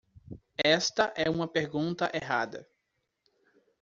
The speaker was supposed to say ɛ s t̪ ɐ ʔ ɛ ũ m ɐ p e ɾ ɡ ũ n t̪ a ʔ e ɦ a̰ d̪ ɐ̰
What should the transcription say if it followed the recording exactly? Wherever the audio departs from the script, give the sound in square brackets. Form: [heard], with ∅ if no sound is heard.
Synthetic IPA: ɛ s t̪ ɐ ʔ ɛ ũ m ɐ p e ɾ ɡ ũ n t̪ [ɐ] ʔ e ɦ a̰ d̪ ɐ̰